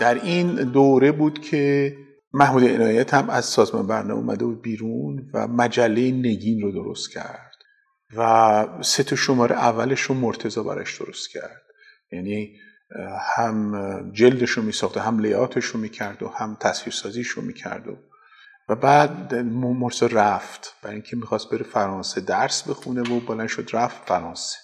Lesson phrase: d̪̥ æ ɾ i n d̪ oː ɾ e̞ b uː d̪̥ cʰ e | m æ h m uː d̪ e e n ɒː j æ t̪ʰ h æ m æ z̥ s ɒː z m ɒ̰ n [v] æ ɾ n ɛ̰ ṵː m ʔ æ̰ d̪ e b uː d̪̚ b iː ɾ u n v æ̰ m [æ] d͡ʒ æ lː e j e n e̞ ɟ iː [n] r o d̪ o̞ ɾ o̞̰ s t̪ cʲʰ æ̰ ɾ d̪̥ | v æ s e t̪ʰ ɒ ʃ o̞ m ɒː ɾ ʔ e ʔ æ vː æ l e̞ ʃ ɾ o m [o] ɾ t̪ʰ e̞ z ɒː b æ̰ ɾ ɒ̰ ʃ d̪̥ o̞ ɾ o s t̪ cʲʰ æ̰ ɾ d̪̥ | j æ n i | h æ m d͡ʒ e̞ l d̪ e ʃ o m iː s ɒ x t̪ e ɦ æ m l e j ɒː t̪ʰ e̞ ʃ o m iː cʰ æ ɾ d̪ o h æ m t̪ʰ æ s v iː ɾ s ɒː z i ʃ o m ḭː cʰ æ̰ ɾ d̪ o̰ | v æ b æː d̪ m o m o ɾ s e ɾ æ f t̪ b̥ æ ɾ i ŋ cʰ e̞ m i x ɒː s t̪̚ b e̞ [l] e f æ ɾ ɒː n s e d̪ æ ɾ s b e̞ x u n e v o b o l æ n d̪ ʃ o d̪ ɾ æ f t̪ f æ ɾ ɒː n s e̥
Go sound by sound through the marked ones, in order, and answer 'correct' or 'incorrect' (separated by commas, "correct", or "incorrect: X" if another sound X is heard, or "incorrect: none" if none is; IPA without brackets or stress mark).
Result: incorrect: b, correct, correct, correct, incorrect: ɾ